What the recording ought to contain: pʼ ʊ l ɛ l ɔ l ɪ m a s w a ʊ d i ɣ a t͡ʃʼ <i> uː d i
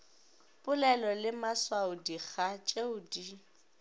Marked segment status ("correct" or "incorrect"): incorrect